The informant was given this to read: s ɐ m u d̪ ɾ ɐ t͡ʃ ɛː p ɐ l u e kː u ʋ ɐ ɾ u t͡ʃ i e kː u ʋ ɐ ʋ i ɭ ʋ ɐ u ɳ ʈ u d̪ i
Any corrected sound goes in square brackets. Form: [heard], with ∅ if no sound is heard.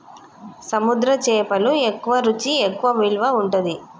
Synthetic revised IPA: s ɐ m u d̪ ɾ ɐ t͡ʃ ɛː p ɐ l u e kː u ʋ ɐ ɾ u t͡ʃ i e kː u ʋ ɐ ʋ i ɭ ʋ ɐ u ɳ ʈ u d̪ i